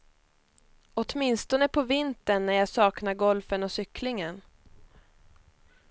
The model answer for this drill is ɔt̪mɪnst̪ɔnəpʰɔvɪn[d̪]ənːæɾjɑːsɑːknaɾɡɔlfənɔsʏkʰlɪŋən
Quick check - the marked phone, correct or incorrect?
incorrect